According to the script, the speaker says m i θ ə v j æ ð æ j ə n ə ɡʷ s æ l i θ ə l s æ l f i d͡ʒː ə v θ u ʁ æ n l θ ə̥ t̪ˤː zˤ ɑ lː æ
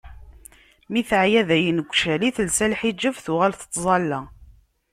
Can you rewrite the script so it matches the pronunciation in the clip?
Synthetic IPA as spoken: m i θ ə ʕ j æ ð æ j ə n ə ɡʷ ʃ æ l i θ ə l s æ l ħ i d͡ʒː ə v θ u ʁ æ l θ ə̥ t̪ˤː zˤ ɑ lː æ